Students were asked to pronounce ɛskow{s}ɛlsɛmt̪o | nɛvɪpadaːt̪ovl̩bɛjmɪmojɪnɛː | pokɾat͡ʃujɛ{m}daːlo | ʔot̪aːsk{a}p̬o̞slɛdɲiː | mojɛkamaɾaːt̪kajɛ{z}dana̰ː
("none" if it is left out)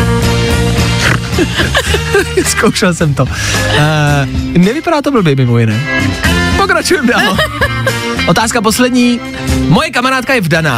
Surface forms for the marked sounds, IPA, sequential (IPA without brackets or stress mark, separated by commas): ʃ, m, a, v